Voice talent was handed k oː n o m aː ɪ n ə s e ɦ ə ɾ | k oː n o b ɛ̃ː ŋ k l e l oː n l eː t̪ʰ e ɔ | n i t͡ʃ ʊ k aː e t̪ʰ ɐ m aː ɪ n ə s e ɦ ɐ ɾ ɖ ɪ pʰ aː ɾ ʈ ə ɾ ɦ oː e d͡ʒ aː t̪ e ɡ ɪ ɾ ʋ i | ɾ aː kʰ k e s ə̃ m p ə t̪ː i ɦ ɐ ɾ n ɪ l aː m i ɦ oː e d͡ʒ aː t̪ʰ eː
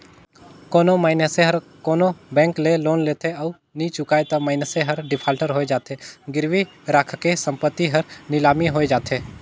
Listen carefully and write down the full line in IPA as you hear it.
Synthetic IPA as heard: k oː n o m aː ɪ n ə s e ɦ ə ɾ | k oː n o b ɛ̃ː ŋ k l e l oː n l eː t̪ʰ e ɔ | n i t͡ʃ ʊ k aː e t̪ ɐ m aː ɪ n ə s e ɦ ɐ ɾ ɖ ɪ pʰ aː l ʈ ə ɾ ɦ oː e d͡ʒ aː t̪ e ɡ ɪ ɾ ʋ i | ɾ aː kʰ k e s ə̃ m p ə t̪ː i ɦ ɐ ɾ n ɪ l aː m i ɦ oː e d͡ʒ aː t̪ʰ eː

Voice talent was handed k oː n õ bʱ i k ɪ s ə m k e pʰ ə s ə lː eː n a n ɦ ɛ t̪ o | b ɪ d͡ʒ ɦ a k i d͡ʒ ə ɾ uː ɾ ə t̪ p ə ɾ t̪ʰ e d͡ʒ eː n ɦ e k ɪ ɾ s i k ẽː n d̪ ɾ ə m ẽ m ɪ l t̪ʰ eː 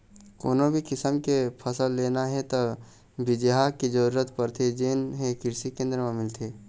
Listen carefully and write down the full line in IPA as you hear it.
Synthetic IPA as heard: k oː n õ bʱ i k ɪ s ə m k e pʰ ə s ə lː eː n a ɦ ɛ t̪ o | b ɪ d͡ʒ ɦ a k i d͡ʒ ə ɾ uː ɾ ə t̪ p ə ɾ t̪ʰ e d͡ʒ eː n ɦ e k ɪ ɾ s i k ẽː n d̪ ɾ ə m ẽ m ɪ l t̪ʰ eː

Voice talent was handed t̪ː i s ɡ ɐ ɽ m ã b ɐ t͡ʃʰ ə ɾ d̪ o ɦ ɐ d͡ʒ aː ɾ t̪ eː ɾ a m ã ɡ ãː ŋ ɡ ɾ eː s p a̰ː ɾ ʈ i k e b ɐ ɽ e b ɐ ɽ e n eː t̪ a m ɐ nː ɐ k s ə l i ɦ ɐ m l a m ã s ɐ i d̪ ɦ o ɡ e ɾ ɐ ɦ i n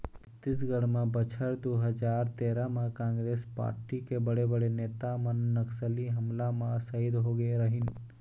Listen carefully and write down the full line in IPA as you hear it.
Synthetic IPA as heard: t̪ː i s ɡ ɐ ɽ m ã b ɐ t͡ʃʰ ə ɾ d̪ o ɦ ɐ d͡ʒ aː ɾ t̪ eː ɾ a m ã k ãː ŋ ɡ ɾ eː s p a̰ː ɾ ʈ i k e b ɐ ɽ e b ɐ ɽ e n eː t̪ a m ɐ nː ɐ k s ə l i ɦ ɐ m l a m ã s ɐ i d̪ ɦ o ɡ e ɾ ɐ ɦ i n

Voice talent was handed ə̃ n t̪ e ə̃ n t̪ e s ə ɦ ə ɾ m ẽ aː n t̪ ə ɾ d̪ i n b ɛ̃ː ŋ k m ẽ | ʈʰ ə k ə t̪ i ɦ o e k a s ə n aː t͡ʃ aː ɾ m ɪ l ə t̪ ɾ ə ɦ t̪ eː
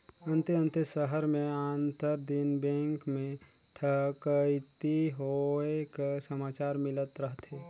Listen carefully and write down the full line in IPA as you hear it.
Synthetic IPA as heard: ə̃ n t̪ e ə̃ n t̪ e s ə ɦ ə ɾ m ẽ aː n t̪ ə ɾ d̪ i n b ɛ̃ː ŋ k m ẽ | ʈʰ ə k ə t̪ i ɦ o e k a s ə m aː t͡ʃ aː ɾ m ɪ l ə t̪ ɾ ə ɦ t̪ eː

